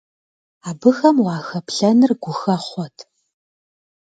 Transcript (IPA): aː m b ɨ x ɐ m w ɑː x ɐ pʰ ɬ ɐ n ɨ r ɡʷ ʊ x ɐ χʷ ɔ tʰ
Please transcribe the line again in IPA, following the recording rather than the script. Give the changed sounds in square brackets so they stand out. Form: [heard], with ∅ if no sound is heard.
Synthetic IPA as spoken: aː [∅] b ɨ x ɐ m w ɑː x ɐ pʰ ɬ ɐ n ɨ r ɡʷ ʊ x ɐ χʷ ɔ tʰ